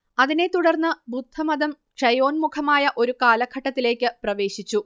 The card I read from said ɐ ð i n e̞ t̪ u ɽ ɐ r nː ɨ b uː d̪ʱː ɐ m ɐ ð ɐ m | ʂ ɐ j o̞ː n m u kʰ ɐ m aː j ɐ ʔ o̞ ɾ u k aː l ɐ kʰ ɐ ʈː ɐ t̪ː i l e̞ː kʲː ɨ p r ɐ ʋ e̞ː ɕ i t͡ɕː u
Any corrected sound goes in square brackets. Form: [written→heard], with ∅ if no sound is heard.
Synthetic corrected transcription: ɐ ð i n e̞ t̪ u ɽ ɐ r nː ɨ b [uː→u] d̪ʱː ɐ m ɐ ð ɐ m | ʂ ɐ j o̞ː n m u kʰ ɐ m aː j ɐ ʔ o̞ ɾ u k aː l ɐ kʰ ɐ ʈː ɐ t̪ː i l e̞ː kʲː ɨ p r ɐ ʋ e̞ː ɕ i t͡ɕː u

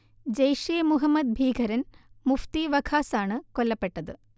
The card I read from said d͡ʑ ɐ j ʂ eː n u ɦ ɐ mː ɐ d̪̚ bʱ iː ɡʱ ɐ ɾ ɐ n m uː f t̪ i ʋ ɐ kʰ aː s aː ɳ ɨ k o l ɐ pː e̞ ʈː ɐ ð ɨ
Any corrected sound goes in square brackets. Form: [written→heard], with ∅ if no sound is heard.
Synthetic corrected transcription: d͡ʑ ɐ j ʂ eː [n→m] u ɦ ɐ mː ɐ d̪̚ bʱ iː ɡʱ ɐ ɾ ɐ n m [uː→u] f t̪ i ʋ ɐ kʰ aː s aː ɳ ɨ k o [l→lː] ɐ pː e̞ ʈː ɐ ð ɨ

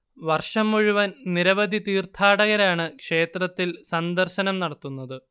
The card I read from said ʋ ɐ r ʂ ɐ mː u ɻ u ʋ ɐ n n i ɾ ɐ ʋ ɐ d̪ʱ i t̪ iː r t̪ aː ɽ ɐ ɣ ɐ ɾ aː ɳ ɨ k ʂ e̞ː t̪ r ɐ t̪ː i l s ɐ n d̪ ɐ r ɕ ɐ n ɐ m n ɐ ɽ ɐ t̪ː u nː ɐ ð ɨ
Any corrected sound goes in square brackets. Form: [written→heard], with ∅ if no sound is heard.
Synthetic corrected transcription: ʋ ɐ r ʂ ɐ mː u ɻ u ʋ ɐ n n i ɾ ɐ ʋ ɐ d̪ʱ i t̪ iː r [t̪→t̪ʰ] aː ɽ ɐ ɣ ɐ ɾ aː ɳ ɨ k ʂ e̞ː t̪ r ɐ t̪ː i l s ɐ n d̪ ɐ r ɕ ɐ n ɐ m n ɐ ɽ ɐ t̪ː u nː ɐ ð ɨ

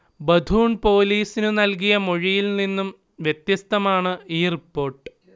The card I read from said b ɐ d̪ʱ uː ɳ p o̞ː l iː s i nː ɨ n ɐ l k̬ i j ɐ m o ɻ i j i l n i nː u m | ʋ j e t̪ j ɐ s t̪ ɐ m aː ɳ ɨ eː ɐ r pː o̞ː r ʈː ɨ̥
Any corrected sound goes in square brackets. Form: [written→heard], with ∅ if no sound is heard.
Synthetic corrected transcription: b ɐ d̪ʱ uː ɳ p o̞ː l iː s i [nː→n] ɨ n ɐ l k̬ i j ɐ m o ɻ i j i l n i nː u m | ʋ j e t̪ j ɐ s t̪ ɐ m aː ɳ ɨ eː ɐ r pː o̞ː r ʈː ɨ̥

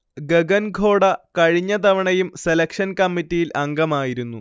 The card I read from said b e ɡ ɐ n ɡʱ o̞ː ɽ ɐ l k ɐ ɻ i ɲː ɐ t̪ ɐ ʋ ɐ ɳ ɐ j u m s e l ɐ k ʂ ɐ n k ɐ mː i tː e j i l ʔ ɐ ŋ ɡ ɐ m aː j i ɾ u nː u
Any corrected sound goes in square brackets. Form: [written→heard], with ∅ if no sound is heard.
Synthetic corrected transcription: [b→ɡ] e ɡ ɐ n ɡʱ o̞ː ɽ ɐ [l→∅] k ɐ ɻ i ɲː ɐ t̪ ɐ ʋ ɐ ɳ ɐ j u m s e l ɐ k ʂ ɐ n k ɐ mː i tː [e→i] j i l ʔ ɐ ŋ ɡ ɐ m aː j i ɾ u nː u

